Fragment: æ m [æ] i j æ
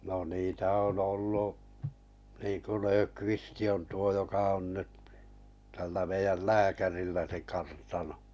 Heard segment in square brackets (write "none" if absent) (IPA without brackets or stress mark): e